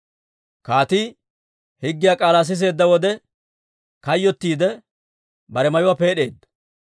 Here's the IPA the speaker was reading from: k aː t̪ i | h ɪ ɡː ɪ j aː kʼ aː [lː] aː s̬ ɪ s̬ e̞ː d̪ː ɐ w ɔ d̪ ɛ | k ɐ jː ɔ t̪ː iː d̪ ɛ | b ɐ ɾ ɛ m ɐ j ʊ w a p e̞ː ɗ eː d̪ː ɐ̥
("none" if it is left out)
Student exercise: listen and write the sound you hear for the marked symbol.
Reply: l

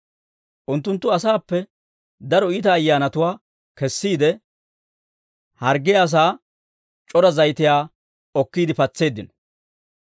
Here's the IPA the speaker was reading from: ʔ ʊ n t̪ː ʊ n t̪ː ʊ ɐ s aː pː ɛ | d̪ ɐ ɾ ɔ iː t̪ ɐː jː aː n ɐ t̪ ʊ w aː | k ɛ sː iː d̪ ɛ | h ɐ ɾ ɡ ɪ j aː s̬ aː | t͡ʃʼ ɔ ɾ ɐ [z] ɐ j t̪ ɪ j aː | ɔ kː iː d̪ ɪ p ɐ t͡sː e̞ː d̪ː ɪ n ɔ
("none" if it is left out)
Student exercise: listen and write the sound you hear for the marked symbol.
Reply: z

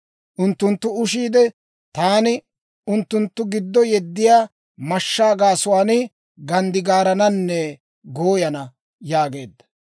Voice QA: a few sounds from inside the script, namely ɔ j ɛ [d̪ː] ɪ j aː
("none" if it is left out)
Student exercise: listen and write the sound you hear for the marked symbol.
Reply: d̪ː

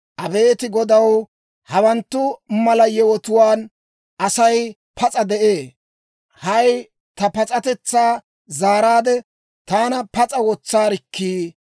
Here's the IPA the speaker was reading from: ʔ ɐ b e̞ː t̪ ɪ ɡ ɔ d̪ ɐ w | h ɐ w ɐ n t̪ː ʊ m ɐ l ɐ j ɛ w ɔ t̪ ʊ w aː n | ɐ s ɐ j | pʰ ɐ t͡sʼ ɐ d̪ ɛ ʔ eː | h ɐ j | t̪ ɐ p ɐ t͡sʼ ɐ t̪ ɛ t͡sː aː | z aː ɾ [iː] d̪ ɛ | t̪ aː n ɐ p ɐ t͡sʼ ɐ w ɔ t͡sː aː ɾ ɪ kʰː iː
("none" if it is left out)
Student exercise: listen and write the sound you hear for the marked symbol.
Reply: aː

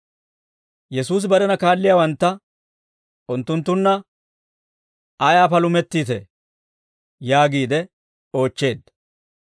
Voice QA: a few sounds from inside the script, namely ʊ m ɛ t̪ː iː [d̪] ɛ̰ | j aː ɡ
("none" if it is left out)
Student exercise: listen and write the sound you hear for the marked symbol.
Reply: t̪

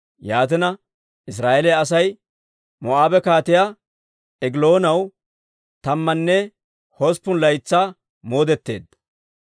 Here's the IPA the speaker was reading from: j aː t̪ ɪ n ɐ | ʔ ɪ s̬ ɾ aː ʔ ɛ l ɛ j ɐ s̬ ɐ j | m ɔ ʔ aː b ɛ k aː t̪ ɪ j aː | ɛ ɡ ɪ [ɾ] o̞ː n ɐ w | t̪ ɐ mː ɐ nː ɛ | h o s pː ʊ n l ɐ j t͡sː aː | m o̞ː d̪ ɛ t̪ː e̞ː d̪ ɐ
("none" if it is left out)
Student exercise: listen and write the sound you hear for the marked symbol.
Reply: l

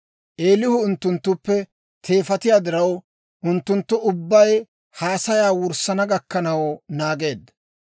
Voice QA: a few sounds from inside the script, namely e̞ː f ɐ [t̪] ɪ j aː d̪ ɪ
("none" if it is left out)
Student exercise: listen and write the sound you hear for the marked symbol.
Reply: t̪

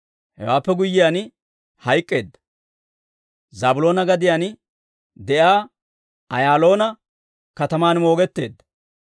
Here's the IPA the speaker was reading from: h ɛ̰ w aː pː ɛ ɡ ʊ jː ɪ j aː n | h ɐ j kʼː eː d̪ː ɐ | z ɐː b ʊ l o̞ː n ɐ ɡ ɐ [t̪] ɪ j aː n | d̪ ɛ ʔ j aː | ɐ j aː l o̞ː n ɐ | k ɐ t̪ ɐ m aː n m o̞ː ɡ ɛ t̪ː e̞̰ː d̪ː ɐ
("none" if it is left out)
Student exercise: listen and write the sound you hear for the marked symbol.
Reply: d̪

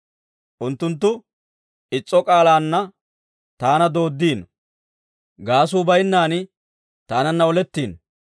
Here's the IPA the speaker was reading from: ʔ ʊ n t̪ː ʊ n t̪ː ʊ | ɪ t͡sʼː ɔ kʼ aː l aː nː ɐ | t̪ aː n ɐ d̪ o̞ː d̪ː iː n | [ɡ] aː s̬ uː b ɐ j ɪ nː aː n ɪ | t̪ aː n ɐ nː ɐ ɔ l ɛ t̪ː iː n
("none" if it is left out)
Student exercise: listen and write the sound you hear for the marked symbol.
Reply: ɡ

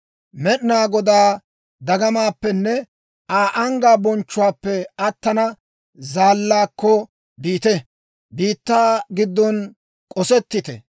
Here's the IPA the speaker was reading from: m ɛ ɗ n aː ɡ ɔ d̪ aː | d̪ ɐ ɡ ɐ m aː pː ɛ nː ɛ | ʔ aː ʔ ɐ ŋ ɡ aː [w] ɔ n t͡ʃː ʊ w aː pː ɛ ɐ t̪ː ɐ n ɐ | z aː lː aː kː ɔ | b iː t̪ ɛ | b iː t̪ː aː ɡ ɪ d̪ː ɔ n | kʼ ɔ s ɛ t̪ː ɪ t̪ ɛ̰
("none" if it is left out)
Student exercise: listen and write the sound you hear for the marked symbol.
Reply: b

